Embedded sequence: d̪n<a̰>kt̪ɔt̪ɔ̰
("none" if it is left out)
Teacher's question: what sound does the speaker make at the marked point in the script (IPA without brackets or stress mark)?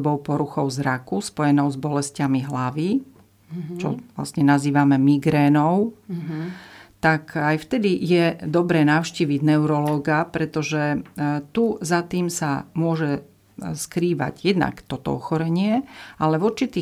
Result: a̰